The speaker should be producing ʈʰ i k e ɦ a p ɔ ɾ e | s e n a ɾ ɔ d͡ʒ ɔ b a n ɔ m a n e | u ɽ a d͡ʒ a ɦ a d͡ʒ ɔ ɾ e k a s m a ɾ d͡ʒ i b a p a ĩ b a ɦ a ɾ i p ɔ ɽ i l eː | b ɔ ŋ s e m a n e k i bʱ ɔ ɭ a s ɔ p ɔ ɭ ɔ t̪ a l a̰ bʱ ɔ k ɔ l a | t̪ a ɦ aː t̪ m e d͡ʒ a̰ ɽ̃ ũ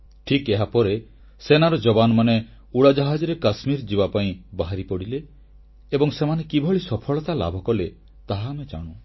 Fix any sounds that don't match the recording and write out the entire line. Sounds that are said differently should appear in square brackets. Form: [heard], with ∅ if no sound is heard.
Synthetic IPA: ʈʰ i k e ɦ a p ɔ ɾ e | s e n a ɾ ɔ d͡ʒ ɔ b a n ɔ m a n e | u ɽ a d͡ʒ a ɦ a d͡ʒ ɔ ɾ e k a s m [i] ɾ d͡ʒ i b a p a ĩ b a ɦ a ɾ i p ɔ ɽ i l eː | b ɔ ŋ s e m a n e k i bʱ ɔ ɭ [i] s ɔ [pʰ] ɔ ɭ ɔ t̪ a l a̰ bʱ ɔ k ɔ l [e] | t̪ a ɦ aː [∅] m e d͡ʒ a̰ ɽ̃ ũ